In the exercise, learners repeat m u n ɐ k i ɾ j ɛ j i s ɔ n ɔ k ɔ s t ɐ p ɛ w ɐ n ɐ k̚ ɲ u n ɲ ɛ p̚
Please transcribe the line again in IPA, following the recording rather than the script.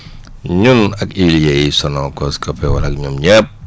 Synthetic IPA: ɲ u n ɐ k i l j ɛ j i s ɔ n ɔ k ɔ s k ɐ p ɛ w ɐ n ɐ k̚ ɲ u m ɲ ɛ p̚